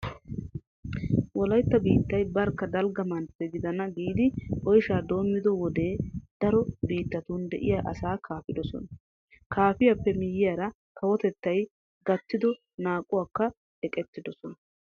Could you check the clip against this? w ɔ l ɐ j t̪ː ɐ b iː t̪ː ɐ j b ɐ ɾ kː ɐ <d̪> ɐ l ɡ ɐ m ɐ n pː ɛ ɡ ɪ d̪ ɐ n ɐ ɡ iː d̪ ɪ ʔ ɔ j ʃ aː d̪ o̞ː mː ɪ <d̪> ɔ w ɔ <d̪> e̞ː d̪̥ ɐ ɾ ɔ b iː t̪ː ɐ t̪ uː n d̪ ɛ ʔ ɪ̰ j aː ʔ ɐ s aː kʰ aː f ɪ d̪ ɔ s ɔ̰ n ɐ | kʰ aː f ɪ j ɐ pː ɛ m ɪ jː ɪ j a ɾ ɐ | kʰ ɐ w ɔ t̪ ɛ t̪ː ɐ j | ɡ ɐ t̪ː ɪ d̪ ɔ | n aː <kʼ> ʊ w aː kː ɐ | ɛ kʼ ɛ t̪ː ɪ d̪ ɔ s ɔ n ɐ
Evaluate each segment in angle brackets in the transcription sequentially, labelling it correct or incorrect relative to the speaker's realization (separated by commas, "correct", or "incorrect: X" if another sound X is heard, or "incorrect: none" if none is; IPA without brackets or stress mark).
correct, correct, correct, correct